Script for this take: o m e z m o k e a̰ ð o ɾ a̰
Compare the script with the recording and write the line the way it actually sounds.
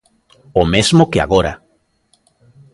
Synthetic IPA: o m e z m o k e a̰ ɣ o ɾ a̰